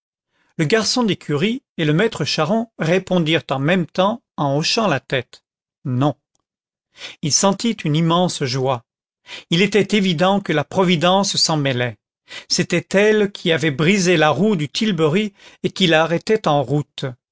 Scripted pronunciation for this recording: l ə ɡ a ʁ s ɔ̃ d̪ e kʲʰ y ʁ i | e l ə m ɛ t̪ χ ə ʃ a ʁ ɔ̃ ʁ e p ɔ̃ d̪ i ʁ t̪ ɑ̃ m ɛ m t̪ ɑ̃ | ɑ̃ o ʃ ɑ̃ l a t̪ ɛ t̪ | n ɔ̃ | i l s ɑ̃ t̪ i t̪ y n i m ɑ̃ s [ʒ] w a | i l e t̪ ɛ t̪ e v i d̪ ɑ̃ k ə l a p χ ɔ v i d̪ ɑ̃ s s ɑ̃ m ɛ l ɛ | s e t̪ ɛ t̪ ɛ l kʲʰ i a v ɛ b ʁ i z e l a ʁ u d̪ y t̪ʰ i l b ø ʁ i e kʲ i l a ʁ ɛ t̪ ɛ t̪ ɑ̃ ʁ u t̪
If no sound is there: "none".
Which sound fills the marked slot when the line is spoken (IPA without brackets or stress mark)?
ʒ